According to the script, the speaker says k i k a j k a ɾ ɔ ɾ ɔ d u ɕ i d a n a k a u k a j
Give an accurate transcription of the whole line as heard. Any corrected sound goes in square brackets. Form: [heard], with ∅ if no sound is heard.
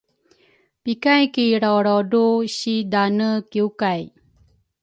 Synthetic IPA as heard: [p] i k a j k [i] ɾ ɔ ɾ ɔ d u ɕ i d a n [ə] k [i] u k a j

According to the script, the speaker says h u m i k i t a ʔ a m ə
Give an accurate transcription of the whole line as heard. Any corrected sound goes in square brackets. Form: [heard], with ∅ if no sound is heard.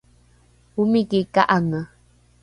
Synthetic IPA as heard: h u m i k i [k] a ʔ a [ŋ] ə

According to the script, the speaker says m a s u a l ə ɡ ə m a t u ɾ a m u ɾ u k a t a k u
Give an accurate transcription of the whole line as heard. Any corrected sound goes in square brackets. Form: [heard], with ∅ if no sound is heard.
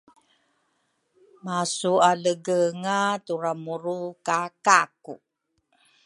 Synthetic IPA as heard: m a s u a l ə ɡ ə [ŋ] a t u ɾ a m u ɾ u k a [k] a k u

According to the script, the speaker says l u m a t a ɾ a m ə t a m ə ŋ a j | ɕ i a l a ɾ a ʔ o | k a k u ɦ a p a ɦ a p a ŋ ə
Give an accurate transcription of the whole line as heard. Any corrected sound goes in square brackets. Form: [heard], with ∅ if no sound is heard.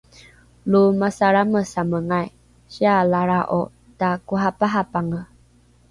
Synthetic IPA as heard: l u m a [s] a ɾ a m ə [s] a m ə ŋ a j | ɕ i a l a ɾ a ʔ o | [t] a k u ɦ a p a ɦ a p a ŋ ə

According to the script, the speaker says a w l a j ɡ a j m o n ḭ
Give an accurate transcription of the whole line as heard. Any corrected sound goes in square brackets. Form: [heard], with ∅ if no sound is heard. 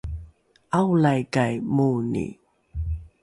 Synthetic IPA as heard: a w l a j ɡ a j m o n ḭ

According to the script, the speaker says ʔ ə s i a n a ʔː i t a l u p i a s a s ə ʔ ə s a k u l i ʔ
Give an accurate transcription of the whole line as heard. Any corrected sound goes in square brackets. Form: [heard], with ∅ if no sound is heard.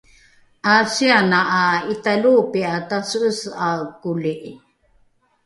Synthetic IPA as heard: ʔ [a] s i a n a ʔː i t a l u p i a [t] a s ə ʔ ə s a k u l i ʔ

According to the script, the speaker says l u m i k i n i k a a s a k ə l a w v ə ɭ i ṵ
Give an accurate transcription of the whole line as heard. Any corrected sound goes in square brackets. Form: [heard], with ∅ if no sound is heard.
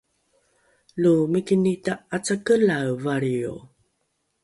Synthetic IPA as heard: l u m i k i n i [t] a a [t͡s] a k ə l a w v [a] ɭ i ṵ

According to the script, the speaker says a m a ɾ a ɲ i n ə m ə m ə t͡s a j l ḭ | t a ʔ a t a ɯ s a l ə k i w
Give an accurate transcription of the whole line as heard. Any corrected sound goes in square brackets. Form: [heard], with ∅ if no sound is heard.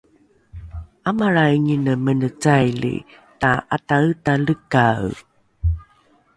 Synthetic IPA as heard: a m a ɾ a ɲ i n ə m ə [n] ə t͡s a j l ḭ | t a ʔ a t a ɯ [t] a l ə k [a] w

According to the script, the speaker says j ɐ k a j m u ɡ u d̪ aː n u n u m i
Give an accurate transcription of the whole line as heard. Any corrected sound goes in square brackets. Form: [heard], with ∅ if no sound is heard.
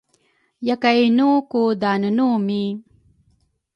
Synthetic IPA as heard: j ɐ k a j [n] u [k] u d̪ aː n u n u m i

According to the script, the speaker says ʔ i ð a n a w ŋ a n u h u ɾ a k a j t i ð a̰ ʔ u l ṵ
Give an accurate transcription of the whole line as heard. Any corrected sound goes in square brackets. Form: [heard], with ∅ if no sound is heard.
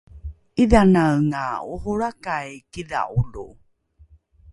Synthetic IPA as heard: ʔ i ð a n a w ŋ a [∅] u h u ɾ a k a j [k] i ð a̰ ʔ u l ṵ

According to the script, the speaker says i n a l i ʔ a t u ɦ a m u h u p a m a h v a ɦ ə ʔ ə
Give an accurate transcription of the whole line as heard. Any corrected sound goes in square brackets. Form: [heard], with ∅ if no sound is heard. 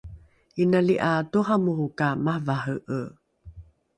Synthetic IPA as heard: i n a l i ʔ a t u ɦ a m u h u [k] a m a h v a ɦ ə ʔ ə

